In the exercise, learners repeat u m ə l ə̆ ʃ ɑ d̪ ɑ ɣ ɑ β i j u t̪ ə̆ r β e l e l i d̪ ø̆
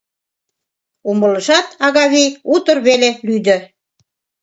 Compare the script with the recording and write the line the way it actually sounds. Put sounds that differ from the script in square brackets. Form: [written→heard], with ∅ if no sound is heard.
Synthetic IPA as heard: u m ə l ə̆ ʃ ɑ [d̪→t̪] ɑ ɣ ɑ β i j u t̪ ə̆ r β e l e l [i→y] d̪ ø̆